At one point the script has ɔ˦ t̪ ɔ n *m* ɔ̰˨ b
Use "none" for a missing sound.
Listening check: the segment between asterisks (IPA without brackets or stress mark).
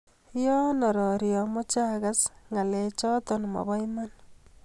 m